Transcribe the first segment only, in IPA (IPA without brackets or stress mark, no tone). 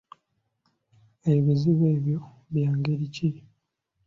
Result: e